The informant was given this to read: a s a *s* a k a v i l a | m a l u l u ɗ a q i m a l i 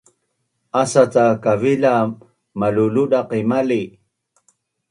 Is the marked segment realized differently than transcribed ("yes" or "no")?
yes